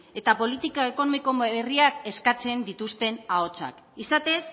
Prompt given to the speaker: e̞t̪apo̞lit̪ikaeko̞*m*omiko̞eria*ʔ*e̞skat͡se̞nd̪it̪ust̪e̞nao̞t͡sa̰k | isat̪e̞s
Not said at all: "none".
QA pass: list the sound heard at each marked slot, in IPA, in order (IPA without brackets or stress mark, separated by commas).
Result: n, k